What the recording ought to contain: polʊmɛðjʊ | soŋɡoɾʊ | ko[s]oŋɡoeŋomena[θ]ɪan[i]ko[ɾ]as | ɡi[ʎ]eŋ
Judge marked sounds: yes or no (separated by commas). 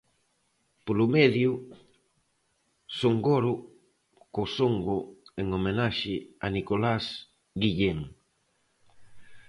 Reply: yes, no, yes, no, yes